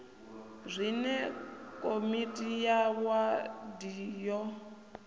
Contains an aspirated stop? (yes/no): no